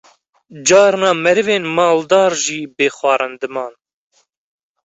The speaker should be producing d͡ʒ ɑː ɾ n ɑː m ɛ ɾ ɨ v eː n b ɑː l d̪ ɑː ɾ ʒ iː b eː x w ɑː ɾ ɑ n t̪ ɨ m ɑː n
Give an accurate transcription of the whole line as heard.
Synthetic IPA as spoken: d͡ʒ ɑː ɾ n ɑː m ɛ ɾ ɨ v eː n m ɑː l d̪ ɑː ɾ ʒ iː b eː x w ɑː ɾ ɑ n d̪ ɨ m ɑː n